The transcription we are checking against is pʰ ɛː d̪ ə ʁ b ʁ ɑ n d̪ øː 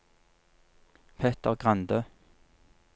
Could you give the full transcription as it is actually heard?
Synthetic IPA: pʰ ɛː t̪ ə ʁ ɡ ʁ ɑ n d̪ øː